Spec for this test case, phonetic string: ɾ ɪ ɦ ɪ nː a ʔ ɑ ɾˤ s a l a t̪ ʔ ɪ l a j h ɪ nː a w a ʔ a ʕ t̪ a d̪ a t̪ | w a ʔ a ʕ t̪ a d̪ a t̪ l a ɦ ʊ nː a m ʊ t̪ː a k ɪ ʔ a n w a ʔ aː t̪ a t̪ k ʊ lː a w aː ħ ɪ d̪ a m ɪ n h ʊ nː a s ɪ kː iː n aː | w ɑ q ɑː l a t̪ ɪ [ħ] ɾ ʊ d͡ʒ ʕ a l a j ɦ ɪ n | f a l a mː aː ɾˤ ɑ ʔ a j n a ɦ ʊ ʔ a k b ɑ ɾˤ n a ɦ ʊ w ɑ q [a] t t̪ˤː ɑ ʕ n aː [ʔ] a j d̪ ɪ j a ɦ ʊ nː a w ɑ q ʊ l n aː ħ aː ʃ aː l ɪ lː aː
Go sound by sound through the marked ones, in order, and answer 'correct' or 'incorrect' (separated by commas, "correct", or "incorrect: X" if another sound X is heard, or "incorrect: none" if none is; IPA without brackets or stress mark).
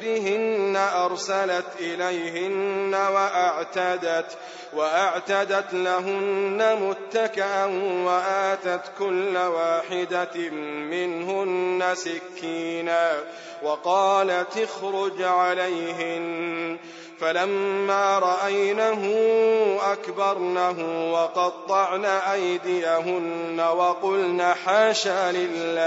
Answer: incorrect: x, incorrect: ɑ, correct